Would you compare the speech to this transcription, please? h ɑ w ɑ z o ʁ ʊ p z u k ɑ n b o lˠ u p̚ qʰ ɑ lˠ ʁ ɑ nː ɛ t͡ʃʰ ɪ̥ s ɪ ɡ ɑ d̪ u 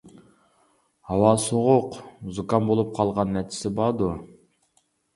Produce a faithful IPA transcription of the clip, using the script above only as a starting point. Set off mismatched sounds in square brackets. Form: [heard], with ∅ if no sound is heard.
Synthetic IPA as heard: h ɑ w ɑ [s] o ʁ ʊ [q] z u k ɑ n b o lˠ u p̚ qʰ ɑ lˠ ʁ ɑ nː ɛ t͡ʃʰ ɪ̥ s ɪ [b] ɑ d̪ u